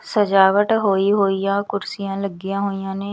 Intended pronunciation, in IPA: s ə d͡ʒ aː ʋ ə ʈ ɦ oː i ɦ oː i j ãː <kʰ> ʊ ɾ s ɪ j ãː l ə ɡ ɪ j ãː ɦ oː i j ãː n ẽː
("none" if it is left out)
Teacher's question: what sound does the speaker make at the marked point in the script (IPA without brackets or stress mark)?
k